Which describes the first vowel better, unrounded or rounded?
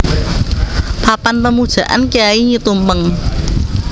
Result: unrounded